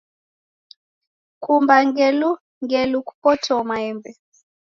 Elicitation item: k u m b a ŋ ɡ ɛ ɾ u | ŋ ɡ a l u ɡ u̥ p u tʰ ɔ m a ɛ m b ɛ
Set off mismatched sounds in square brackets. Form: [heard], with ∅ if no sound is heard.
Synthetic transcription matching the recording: k u m b a ŋ ɡ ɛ [l] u | ŋ ɡ [ɛ] l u [k] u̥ p [ɔ] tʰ ɔ m a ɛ m b ɛ

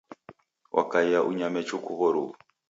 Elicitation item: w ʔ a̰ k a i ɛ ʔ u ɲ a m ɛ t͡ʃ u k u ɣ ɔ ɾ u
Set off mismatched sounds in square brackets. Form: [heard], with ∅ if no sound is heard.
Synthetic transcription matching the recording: w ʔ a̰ k a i [a] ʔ u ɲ a m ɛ t͡ʃ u k u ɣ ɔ ɾ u

